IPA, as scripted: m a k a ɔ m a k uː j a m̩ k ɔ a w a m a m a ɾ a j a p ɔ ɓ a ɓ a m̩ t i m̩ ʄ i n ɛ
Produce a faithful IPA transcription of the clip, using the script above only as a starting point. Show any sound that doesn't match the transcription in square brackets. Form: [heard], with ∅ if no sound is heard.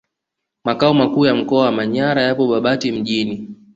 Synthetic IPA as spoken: m a k a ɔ m a k uː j a m̩ k ɔ a w a m a [ɲ] a ɾ a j a p ɔ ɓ a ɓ a [∅] t i m̩ ʄ i n [i]